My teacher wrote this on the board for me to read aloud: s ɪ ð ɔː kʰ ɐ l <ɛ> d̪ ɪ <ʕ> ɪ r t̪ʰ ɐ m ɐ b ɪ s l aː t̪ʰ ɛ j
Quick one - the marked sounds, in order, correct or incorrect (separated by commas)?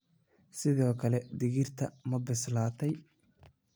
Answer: correct, incorrect